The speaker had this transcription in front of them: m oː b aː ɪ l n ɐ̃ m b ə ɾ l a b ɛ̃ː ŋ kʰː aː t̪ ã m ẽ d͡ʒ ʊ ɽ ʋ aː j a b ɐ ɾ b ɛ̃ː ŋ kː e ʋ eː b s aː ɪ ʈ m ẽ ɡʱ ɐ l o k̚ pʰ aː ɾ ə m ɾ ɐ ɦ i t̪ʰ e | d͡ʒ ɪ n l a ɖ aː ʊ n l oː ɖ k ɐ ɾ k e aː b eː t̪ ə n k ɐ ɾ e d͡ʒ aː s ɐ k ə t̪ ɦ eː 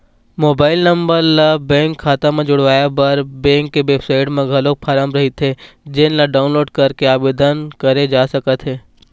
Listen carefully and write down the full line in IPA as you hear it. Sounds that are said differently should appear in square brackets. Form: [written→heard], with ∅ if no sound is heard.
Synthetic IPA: m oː b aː ɪ l n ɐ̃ m b ə ɾ l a b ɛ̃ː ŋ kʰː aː t̪ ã m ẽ d͡ʒ ʊ ɽ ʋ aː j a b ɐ ɾ b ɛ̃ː ŋ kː e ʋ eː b s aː ɪ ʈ m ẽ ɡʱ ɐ l o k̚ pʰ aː ɾ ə m ɾ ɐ ɦ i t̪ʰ e | d͡ʒ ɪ n l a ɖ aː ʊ n l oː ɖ k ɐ ɾ k e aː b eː [t̪→d̪] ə n k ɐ ɾ e d͡ʒ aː s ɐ k ə t̪ ɦ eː